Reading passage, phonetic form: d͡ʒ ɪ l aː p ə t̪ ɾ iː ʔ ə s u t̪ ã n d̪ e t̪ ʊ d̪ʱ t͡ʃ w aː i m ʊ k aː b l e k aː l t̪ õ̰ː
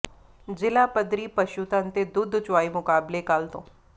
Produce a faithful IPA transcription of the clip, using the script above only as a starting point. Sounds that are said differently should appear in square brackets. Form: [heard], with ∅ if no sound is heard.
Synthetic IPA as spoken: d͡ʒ ɪ l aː p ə [d̪] ɾ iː [p] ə [ʃ] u t̪ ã n [t̪] e [d̪] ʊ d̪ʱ t͡ʃ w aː i m ʊ k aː b l e k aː l t̪ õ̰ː